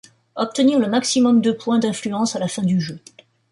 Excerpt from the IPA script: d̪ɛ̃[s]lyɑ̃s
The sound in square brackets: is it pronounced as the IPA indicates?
no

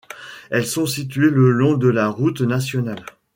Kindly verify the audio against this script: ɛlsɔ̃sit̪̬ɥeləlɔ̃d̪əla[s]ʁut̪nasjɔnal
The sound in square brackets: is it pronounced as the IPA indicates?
no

